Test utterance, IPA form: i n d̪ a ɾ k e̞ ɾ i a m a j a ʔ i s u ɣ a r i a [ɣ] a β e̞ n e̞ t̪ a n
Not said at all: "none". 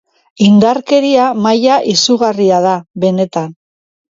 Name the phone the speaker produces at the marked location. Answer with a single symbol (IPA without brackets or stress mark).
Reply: ð